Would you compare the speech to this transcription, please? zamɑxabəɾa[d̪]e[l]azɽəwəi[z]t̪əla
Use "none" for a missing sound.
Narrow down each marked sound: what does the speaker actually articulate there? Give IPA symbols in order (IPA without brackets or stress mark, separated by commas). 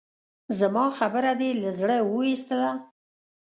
d̪, l, s